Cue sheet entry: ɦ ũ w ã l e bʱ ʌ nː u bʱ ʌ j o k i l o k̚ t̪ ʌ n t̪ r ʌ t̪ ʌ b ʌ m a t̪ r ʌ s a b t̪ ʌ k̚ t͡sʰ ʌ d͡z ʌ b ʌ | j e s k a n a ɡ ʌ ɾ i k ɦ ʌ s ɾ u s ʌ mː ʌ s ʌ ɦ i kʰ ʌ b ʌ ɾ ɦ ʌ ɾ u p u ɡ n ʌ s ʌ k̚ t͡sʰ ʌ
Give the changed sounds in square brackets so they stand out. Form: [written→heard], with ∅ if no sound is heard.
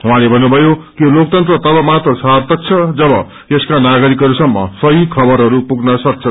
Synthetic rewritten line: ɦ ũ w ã l e bʱ ʌ nː u bʱ ʌ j o k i l o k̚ t̪ ʌ n t̪ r ʌ t̪ ʌ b ʌ m a t̪ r ʌ s a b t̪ ʌ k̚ t͡sʰ ʌ d͡z ʌ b ʌ | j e s k a n a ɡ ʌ ɾ i k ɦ ʌ [s→∅] ɾ u s ʌ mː ʌ s ʌ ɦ i kʰ ʌ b ʌ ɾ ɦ ʌ ɾ u p u ɡ n ʌ s ʌ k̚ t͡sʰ ʌ